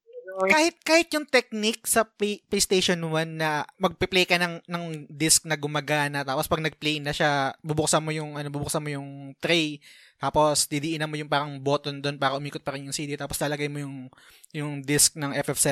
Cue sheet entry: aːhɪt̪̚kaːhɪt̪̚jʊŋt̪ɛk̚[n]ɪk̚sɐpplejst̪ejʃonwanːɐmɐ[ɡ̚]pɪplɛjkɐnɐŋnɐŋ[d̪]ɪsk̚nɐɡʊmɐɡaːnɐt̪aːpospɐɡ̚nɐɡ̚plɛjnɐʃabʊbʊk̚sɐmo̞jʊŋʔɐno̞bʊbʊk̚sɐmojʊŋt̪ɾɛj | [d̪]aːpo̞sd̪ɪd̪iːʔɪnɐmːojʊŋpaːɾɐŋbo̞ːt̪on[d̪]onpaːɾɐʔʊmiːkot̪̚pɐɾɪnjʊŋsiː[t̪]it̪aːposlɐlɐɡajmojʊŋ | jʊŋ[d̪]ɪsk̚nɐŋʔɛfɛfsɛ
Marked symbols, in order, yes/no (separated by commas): yes, yes, yes, no, yes, no, yes